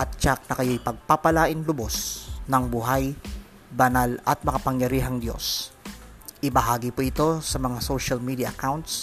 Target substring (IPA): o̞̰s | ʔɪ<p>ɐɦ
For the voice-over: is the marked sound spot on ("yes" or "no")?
no